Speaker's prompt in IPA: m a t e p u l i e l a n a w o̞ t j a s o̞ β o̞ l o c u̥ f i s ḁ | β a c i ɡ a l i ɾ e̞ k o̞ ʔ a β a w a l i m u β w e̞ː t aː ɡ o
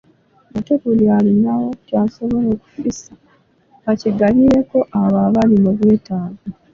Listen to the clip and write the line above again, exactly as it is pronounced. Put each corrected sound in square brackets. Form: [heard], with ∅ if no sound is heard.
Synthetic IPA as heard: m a t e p u l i [a] l [i] n a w o̞ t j a s o̞ β o̞ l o [k] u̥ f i s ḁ | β a c i ɡ a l i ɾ e̞ k o̞ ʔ a β a [β] a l i m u β w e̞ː t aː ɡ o